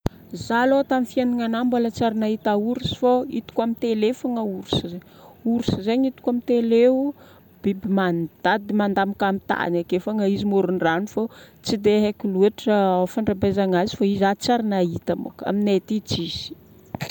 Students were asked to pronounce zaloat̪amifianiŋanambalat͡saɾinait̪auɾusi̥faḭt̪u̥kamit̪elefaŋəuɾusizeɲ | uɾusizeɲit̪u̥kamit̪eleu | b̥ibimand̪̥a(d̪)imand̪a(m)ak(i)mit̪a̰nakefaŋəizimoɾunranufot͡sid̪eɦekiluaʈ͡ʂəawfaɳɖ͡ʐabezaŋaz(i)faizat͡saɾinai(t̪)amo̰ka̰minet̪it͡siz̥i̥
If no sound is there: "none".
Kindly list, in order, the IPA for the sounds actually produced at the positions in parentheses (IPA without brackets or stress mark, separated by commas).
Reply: d̪, m, a, i, t̪